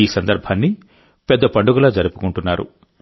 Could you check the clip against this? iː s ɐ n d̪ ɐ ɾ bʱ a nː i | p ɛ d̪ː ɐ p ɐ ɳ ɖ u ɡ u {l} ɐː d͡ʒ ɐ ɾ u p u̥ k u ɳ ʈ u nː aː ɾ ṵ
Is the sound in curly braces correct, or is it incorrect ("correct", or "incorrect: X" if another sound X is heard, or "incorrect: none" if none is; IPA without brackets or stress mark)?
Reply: correct